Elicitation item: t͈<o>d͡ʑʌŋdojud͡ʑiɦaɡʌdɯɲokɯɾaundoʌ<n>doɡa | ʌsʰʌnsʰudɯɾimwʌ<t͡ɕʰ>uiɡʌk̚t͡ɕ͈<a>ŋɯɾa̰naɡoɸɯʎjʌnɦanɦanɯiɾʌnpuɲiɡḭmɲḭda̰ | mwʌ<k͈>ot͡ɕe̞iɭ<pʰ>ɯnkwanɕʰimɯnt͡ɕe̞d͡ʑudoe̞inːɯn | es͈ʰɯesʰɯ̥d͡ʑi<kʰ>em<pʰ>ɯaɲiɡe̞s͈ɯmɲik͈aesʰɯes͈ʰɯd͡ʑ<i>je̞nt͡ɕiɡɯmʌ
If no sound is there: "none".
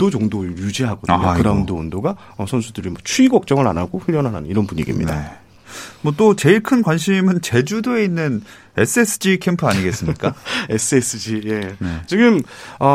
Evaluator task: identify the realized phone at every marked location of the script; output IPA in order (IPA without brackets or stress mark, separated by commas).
o, n, t͡ɕʰ, ʌ, t͈, kʰ, kʰ, pʰ, i